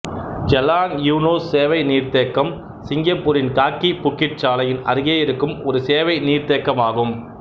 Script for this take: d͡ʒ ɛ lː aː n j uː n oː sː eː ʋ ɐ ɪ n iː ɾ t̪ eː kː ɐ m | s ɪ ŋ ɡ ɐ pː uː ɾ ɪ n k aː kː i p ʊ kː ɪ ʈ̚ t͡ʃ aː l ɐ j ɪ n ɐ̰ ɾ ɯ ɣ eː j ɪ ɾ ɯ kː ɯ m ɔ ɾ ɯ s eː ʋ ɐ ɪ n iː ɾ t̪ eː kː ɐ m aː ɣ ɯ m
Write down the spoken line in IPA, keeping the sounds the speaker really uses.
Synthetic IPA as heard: d͡ʒ ɛ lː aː n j uː n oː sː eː ʋ ɐ ɪ n iː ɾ t̪ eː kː ɐ m | s ɪ ŋ ɡ ɐ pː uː ɾ ɪ n k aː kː i p ʊ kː ɪ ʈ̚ t͡ʃ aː l ɐ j ɪ n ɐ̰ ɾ ɯ ɣ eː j ɪ ɾ ɯ kː ɯ m ɔ ɾ ɯ s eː ʋ ɐ ɪ n iː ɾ t̪ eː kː ɐ m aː ɣ ɯ m